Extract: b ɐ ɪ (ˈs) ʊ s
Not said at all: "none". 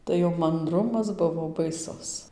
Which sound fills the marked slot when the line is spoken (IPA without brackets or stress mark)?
s